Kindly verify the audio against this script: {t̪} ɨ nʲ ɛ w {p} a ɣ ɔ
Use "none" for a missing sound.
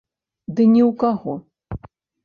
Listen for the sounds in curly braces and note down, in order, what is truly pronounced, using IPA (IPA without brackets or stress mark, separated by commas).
d̪, k